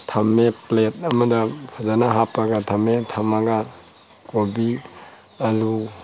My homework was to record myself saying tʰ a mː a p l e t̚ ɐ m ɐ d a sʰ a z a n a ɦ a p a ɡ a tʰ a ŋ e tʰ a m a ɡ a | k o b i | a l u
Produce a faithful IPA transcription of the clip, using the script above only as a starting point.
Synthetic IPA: tʰ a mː e p l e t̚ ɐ m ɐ d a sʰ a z a n a ɦ a p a ɡ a tʰ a m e tʰ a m a ɡ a | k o b i | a l u